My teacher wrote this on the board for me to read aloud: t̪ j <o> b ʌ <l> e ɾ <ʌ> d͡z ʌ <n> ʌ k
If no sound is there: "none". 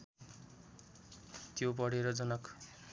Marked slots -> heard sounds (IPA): o, ɽ, ʌ, n

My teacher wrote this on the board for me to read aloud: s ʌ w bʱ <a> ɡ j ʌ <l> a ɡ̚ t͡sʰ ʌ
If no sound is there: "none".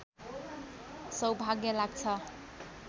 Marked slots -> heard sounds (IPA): a, l

